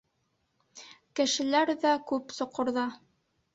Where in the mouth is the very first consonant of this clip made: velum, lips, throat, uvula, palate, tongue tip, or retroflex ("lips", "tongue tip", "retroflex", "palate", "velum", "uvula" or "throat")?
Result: velum